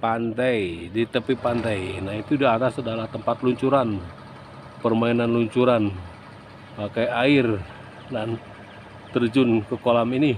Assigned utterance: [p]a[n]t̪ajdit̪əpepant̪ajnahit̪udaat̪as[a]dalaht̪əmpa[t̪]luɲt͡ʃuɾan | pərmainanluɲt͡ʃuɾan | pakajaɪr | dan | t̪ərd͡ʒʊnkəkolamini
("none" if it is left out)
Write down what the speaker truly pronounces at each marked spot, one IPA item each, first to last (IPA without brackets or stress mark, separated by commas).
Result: p, n, a, t̪